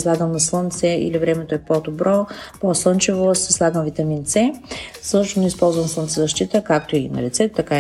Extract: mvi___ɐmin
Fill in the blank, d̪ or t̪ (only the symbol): t̪